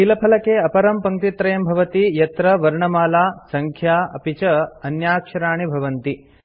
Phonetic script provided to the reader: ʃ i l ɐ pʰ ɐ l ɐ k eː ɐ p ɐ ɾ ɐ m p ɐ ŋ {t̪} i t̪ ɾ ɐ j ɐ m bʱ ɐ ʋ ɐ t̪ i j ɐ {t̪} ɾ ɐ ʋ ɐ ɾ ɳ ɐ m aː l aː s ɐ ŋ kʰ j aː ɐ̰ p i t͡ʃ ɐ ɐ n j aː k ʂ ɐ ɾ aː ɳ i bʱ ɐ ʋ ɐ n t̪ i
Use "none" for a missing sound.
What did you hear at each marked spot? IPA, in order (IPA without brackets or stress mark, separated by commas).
t̪, t̪